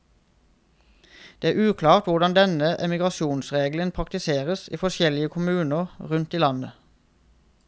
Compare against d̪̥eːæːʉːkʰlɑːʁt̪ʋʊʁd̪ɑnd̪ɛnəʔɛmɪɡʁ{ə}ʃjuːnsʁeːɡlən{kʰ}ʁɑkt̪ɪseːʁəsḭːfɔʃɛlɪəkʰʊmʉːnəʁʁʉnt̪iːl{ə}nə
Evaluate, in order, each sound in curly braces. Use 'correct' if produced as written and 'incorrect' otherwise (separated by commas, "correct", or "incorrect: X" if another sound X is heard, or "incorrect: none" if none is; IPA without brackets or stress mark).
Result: incorrect: ɑ, incorrect: pʰ, incorrect: ɑ